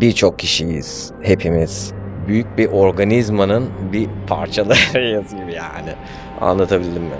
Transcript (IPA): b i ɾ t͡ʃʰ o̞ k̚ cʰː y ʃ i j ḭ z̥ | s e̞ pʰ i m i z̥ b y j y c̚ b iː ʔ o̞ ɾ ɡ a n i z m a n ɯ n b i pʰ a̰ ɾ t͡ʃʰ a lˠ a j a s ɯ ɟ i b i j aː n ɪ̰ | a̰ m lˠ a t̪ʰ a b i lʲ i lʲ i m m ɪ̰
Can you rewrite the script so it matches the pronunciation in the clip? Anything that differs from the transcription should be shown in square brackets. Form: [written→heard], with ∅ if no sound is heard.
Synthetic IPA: b i ɾ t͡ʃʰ o̞ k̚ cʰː [y→i] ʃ i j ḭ z̥ | [s→h] e̞ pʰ i m i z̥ b y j y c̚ b [iː→i] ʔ o̞ ɾ ɡ a n i z m a n ɯ n b i pʰ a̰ ɾ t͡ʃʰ a lˠ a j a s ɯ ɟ i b i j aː n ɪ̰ | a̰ [m→n] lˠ a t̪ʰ a b i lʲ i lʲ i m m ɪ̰